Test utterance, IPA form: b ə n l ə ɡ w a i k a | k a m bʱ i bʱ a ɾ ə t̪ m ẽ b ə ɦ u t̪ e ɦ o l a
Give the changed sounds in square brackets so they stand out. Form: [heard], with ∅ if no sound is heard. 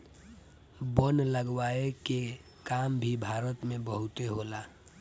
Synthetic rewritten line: b ə n l ə ɡ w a [e] k [e] | k a m bʱ i bʱ a ɾ ə t̪ m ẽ b ə ɦ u t̪ e ɦ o l a